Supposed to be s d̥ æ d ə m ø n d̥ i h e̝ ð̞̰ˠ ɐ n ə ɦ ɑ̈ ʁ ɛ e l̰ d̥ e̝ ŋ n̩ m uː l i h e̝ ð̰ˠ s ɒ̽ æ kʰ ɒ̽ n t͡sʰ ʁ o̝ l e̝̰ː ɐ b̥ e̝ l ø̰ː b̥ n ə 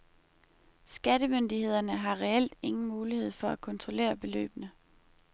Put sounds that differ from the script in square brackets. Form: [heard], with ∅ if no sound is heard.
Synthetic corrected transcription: s [ɡ̥] æ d ə m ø n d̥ i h e̝ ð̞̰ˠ ɐ n ə ɦ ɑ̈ ʁ ɛ e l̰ d̥ e̝ ŋ n̩ m uː l i h e̝ ð̰ˠ [f] ɒ̽ æ kʰ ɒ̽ n t͡sʰ ʁ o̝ l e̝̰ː ɐ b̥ e̝ l ø̰ː b̥ n ə